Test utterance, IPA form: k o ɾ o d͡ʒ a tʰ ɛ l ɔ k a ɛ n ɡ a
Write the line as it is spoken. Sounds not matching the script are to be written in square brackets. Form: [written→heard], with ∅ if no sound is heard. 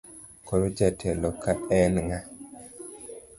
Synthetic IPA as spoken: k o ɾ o d͡ʒ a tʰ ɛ l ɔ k a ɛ n [ɡ→ŋ] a